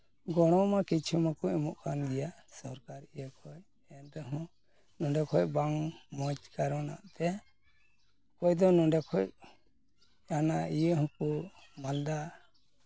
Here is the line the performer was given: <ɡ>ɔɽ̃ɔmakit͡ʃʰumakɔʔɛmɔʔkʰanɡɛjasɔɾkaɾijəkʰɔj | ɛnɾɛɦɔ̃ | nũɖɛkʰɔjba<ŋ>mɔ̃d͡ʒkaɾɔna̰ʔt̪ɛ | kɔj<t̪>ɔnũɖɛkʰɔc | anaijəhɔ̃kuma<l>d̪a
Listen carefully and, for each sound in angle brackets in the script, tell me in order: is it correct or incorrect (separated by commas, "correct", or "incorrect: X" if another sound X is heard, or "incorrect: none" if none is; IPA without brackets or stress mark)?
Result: correct, correct, incorrect: d̪, correct